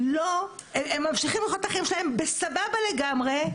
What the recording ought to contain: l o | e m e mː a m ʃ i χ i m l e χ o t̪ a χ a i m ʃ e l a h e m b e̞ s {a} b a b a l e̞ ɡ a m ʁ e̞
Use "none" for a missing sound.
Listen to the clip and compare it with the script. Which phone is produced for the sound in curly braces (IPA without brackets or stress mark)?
a